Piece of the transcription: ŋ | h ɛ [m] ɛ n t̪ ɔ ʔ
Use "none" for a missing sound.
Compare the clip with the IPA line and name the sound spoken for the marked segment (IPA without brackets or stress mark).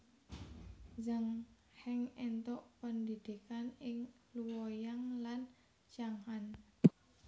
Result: ŋ